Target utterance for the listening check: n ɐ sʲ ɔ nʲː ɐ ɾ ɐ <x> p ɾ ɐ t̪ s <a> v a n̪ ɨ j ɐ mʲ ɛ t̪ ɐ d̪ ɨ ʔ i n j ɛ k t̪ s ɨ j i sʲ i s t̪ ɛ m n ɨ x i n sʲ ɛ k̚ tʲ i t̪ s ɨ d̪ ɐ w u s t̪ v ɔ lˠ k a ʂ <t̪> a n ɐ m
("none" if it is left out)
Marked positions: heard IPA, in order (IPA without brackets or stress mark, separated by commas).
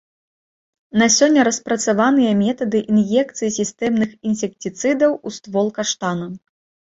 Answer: s, a, t̪